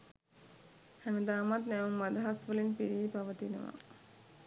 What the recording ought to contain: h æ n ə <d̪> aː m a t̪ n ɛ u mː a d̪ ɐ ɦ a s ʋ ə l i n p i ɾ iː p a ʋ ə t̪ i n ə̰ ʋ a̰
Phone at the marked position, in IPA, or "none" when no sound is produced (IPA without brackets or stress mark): d̪